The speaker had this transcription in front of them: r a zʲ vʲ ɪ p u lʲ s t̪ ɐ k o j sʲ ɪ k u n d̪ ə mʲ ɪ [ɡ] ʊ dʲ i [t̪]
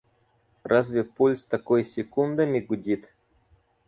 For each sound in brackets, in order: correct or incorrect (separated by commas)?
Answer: correct, correct